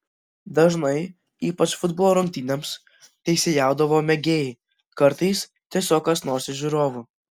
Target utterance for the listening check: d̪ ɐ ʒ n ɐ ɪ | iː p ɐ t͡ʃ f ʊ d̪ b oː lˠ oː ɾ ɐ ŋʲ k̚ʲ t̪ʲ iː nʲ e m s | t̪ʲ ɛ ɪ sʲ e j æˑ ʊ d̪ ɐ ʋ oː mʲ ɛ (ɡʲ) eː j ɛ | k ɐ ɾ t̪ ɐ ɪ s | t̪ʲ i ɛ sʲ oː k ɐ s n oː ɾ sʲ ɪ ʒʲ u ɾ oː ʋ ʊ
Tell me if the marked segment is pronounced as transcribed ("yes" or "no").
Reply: yes